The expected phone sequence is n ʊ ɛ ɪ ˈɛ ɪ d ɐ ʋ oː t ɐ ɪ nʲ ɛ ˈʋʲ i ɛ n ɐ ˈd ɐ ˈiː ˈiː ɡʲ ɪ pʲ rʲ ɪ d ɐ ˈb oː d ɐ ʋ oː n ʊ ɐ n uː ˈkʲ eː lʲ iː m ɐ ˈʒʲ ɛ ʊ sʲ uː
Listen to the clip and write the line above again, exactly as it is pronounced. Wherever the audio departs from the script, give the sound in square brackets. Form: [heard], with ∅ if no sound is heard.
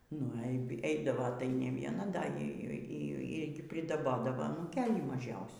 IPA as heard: n ʊ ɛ ɪ ˈɛ ɪ d ɐ ʋ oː t ɐ ɪ nʲ ɛ ˈʋʲ i ɛ n ɐ ˈd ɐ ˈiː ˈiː ɡʲ ɪ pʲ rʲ ɪ d ɐ ˈb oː d ɐ ʋ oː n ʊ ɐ n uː ˈkʲ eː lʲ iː m ɐ ˈʒʲ ɛ ʊ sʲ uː